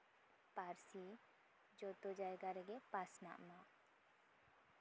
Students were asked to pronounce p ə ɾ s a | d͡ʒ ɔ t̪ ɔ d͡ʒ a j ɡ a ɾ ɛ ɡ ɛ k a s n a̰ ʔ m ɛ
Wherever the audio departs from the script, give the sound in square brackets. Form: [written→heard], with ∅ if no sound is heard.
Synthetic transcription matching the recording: p [ə→a] ɾ s [a→i] | d͡ʒ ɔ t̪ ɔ d͡ʒ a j ɡ a ɾ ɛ ɡ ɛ [k→p] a s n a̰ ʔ m [ɛ→a]